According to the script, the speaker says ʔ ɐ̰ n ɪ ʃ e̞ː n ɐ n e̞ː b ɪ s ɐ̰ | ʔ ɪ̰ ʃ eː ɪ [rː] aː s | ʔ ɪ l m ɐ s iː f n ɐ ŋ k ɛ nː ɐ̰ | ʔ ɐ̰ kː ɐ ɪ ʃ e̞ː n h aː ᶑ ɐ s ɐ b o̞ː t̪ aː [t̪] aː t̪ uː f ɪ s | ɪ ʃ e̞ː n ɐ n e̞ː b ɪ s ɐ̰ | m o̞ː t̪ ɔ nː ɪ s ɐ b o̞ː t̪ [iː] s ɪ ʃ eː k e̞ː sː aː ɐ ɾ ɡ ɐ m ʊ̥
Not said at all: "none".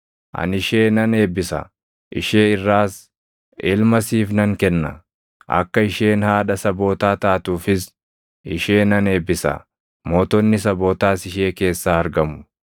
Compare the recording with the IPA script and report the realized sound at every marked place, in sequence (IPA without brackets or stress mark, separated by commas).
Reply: rː, t̪, aː